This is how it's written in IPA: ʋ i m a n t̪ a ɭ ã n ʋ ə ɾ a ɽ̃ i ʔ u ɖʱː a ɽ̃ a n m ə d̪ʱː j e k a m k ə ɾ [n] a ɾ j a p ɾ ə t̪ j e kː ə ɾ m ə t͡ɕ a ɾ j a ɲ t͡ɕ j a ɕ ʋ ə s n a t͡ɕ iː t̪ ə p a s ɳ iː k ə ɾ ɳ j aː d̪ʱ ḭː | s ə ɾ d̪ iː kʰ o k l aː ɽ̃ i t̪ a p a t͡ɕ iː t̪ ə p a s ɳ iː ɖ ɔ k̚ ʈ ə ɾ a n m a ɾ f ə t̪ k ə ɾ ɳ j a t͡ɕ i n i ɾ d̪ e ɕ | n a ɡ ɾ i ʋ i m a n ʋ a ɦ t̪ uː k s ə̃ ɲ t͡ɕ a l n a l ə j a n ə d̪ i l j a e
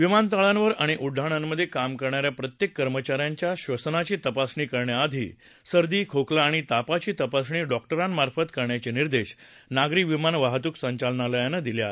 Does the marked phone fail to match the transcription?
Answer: yes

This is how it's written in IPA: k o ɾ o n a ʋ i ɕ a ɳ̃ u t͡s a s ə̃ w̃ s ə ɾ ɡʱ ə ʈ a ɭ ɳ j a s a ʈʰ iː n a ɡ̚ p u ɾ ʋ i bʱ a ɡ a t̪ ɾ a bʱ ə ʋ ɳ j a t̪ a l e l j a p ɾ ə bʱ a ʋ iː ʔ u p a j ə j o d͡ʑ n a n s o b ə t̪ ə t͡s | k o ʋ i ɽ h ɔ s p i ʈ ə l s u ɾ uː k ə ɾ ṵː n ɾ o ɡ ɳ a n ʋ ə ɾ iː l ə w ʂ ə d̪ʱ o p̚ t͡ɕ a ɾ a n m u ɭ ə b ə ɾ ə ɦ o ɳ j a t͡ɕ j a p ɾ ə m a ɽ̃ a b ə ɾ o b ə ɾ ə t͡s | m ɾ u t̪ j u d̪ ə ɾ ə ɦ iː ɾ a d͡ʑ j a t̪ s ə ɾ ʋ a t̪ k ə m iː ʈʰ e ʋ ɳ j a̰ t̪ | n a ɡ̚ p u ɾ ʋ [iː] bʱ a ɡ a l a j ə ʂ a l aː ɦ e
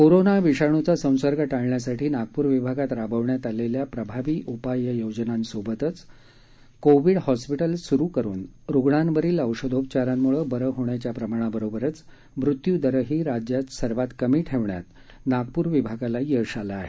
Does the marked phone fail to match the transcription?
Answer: yes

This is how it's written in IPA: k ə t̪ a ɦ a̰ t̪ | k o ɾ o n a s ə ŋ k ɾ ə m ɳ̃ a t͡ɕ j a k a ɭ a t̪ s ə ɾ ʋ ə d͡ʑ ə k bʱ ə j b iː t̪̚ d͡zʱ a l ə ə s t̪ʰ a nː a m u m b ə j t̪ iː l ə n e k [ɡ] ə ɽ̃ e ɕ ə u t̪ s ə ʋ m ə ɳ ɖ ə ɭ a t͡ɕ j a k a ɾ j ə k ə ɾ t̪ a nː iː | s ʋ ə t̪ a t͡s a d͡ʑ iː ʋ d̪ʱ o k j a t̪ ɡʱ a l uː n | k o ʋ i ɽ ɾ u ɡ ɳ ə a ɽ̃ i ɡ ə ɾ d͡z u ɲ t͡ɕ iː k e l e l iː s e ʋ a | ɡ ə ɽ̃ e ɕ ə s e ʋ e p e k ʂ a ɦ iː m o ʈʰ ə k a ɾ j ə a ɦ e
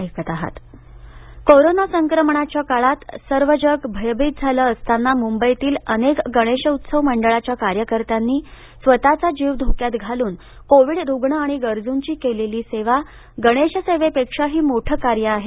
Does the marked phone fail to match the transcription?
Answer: no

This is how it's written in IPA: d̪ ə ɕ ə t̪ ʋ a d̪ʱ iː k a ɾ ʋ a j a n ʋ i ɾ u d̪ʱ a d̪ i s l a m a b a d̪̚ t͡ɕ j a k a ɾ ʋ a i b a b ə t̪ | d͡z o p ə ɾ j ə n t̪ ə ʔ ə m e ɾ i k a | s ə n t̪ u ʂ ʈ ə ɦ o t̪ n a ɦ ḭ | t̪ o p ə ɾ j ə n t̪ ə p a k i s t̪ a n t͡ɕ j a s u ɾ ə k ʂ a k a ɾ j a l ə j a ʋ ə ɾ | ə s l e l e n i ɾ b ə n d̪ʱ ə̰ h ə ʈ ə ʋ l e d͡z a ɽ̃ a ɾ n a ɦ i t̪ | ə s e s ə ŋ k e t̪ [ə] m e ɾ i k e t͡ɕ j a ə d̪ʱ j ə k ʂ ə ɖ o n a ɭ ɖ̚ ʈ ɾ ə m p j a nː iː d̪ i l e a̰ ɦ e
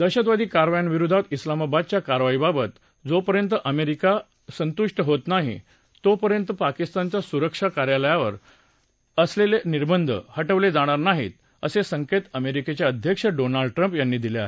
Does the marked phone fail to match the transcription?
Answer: no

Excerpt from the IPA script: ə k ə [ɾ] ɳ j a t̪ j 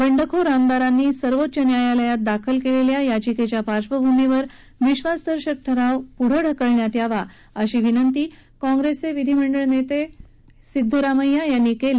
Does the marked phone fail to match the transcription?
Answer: yes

